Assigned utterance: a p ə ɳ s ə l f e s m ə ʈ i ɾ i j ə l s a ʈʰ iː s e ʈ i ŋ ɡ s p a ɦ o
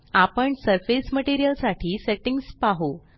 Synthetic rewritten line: a p ə ɳ s ə ɾ f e s m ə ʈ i ɾ i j ə l s a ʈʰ iː s e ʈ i ŋ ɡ s p a ɦ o